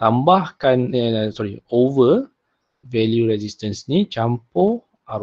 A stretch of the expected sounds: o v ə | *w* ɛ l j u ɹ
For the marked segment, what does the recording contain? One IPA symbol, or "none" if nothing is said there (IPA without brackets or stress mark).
v